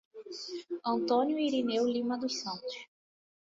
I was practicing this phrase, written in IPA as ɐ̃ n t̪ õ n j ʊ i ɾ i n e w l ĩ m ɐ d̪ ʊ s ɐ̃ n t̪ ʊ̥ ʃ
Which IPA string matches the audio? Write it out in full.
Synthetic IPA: ɐ̃ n t̪ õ n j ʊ i ɾ i n e w l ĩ m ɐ d̪ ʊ s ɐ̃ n t̪ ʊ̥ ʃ